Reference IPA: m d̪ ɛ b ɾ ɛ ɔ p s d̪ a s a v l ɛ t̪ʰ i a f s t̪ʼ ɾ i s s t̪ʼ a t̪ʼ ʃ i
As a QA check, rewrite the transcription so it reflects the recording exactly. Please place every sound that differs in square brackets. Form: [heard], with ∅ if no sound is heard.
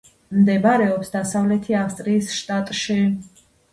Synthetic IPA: m d̪ ɛ b ɾ ɛ ɔ p s d̪ a s a v l ɛ t̪ʰ i a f s t̪ʼ ɾ [iː] s [ʃ] t̪ʼ a t̪ʼ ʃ i